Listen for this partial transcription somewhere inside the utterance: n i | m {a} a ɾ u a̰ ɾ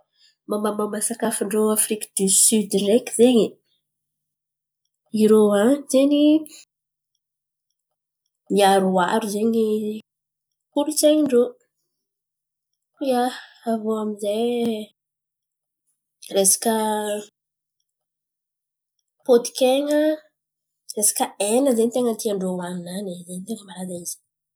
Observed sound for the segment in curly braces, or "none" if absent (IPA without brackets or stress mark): i